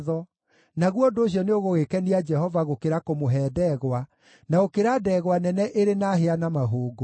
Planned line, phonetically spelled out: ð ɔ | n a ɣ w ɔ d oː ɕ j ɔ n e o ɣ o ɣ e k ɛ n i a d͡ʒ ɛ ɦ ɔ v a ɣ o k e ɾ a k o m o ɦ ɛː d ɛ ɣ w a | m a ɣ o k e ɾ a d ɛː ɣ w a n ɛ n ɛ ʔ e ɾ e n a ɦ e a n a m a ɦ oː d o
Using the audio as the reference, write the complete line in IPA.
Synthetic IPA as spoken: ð ɔ | n a ɣ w ɔ d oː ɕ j ɔ n e o ɣ o ɣ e k ɛ n i a d͡ʒ ɛ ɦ ɔ v a ɣ o k e ɾ a k o m o ɦ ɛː d ɛ ɣ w a | n a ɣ o k e ɾ a d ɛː ɣ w a n ɛ n ɛ ʔ e ɾ e n a ɦ e a n a m a ɦ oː ɡ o